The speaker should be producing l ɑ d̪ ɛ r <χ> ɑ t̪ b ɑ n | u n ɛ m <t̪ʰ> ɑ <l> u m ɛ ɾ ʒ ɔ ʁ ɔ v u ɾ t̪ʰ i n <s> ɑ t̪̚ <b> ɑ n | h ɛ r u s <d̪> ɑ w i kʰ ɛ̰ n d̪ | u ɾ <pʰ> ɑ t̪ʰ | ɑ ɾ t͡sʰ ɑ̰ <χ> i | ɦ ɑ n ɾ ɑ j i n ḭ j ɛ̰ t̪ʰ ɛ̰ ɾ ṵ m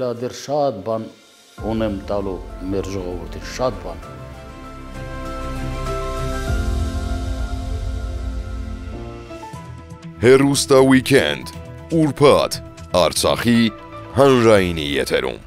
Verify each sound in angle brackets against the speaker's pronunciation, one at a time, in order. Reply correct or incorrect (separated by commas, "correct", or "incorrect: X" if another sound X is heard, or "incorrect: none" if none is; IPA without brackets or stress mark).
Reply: incorrect: ʃ, incorrect: t̪, correct, incorrect: ʃ, correct, incorrect: t̪, correct, correct